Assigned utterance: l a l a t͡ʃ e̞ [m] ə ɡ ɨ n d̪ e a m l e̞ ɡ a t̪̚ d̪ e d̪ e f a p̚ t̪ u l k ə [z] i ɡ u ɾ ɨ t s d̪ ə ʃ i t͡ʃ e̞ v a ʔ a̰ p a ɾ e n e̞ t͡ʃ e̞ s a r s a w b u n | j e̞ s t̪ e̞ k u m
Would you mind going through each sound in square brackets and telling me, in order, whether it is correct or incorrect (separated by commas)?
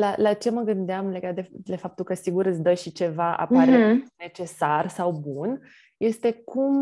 correct, incorrect